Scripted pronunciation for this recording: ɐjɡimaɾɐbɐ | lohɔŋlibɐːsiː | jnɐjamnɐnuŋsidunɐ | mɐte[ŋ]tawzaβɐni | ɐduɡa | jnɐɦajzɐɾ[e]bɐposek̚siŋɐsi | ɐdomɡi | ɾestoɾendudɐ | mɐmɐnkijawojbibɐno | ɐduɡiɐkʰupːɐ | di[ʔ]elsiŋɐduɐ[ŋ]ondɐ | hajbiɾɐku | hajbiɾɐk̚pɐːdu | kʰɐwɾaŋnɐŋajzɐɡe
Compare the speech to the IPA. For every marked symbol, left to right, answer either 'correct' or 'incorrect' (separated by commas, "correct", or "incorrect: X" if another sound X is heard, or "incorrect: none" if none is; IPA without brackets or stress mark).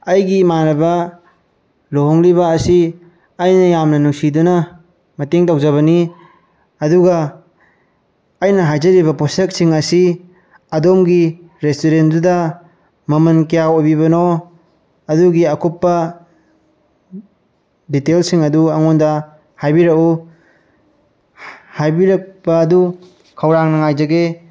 correct, incorrect: i, incorrect: t, correct